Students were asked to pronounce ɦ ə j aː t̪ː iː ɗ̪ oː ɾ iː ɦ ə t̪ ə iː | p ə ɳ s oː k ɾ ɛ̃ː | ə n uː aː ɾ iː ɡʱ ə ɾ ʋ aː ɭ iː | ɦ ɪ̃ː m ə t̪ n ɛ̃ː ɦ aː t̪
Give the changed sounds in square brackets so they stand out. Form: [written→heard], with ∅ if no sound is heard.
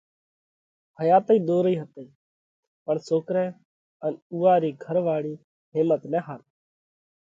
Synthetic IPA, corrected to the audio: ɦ ə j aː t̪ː iː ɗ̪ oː ɾ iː ɦ ə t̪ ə iː | p ə ɳ s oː k ɾ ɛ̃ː | ə n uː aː ɾ iː ɡʱ ə ɾ ʋ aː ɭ iː | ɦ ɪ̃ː m ə t̪ n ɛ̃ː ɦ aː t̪

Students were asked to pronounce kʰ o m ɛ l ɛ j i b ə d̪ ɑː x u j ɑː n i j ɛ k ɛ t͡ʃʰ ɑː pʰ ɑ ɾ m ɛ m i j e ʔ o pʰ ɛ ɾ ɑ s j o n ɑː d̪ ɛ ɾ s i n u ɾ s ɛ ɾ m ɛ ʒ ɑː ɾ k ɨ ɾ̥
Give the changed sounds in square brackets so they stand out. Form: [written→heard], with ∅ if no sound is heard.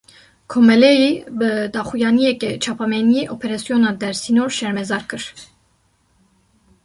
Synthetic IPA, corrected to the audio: kʰ o m ɛ l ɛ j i b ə d̪ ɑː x u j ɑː n i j ɛ k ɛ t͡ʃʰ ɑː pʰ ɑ [ɾ→∅] m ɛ [m→n] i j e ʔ o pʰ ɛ ɾ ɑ s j o n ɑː d̪ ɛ ɾ s i n [u→o] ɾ [s→ʃ] ɛ ɾ m ɛ [ʒ→z] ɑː ɾ k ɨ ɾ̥

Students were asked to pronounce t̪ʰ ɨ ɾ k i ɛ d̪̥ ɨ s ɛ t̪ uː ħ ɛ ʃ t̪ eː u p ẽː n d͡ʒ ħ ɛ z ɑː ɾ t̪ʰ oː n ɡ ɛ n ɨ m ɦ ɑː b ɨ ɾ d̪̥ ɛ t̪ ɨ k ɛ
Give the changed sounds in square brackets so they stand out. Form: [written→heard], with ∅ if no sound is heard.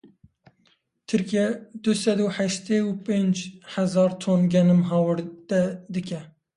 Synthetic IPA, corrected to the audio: t̪ʰ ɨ ɾ k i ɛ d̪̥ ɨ s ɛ [t̪→d̪] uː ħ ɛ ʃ t̪ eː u p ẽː n d͡ʒ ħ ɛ z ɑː ɾ t̪ʰ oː n ɡ ɛ n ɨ m ɦ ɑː [b→w] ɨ ɾ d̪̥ ɛ [t̪→d̪] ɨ k ɛ

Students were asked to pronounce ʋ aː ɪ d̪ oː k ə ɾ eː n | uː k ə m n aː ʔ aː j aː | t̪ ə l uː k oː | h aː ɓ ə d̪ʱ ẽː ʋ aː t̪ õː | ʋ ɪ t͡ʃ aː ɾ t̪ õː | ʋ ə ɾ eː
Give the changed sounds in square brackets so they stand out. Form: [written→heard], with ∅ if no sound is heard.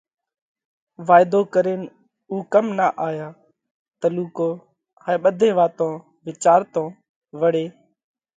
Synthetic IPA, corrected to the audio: ʋ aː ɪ d̪ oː k ə ɾ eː n | uː k ə m n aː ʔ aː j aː | t̪ ə l uː k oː | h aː ɓ ə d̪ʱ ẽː ʋ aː t̪ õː | ʋ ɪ t͡ʃ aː ɾ t̪ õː | ʋ ə [ɾ→ɽ] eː

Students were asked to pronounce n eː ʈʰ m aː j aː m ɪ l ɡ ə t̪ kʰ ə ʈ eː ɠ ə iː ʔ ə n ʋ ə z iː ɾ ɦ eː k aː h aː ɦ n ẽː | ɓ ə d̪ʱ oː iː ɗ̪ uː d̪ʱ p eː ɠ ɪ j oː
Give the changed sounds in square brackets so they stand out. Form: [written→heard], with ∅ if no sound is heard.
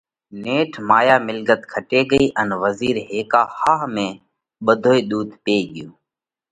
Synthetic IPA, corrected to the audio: n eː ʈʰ m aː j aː m ɪ l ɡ ə t̪ kʰ ə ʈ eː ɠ ə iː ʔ ə n ʋ ə z iː ɾ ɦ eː k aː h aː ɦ [n→m] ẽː | ɓ ə d̪ʱ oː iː ɗ̪ uː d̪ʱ p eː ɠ ɪ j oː

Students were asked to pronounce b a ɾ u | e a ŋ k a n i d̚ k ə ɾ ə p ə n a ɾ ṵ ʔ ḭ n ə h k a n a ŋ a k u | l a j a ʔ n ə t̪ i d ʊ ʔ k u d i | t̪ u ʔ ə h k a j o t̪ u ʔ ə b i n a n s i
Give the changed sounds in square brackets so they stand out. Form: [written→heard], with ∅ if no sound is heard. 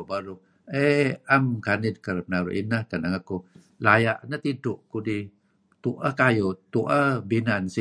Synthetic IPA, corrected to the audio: b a ɾ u | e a [ŋ→m] k a n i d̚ k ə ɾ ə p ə n a ɾ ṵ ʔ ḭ n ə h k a n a ŋ a k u | l a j a ʔ n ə t̪ i d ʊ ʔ k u d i | t̪ u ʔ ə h k a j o t̪ u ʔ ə b i n a n s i

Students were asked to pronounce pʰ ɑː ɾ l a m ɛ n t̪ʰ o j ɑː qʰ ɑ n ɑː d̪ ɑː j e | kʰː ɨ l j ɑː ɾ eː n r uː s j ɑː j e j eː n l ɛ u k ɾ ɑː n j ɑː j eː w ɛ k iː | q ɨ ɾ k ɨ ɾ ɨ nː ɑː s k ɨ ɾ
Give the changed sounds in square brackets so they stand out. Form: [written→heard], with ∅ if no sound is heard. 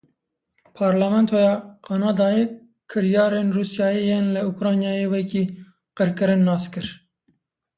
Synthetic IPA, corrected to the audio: pʰ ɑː ɾ l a m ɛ n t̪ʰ o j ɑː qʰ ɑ n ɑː d̪ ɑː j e | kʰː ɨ [l→ɾ] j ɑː ɾ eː n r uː s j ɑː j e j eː n l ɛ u k ɾ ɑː n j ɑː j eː w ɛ k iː | q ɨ ɾ k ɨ ɾ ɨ nː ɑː s k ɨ ɾ

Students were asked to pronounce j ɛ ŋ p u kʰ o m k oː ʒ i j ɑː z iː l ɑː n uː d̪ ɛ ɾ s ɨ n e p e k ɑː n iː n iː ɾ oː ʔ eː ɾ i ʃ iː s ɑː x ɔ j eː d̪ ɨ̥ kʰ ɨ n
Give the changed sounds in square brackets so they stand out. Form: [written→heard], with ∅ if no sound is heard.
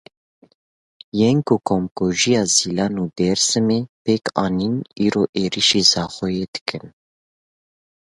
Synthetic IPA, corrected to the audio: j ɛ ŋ [p→k] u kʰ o m k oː ʒ i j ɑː z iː l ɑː n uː d̪ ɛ ɾ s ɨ [n→m] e p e k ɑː n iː n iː ɾ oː ʔ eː ɾ i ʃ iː [s→z] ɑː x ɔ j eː d̪ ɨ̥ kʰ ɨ n

